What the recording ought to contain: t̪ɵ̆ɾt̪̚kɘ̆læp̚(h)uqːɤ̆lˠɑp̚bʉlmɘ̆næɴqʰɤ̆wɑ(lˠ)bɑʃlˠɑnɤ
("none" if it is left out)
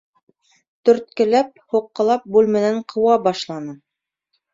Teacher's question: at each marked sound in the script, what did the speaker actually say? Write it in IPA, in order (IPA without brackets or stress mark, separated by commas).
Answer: h, none